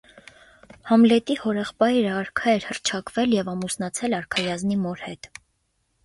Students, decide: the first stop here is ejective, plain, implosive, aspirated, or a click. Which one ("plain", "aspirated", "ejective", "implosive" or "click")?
plain